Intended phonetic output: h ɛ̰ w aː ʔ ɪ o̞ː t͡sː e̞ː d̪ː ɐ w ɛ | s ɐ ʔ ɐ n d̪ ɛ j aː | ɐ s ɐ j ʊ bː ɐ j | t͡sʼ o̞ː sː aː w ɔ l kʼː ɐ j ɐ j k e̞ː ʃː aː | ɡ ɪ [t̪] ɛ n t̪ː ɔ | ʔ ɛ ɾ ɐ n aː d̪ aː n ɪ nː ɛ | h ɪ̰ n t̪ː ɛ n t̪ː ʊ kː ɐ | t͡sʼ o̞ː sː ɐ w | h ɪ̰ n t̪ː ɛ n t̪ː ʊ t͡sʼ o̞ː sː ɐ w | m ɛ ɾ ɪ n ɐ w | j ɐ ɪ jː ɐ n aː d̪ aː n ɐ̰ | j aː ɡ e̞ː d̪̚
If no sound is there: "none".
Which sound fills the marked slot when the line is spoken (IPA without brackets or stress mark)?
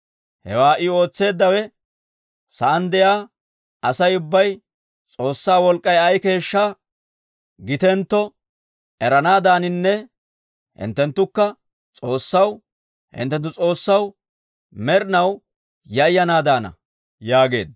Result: t̪